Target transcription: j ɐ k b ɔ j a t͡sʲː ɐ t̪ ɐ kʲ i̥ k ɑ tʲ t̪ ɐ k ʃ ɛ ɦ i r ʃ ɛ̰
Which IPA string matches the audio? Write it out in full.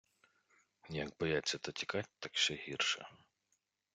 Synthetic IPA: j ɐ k b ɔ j a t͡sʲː ɐ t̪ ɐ tʲ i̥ k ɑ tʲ t̪ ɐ k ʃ ɛ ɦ i r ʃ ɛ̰